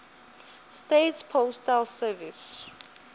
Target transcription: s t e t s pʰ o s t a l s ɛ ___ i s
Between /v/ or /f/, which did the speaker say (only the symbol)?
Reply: v